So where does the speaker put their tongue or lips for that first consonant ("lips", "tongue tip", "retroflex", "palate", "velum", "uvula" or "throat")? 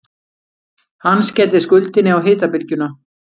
throat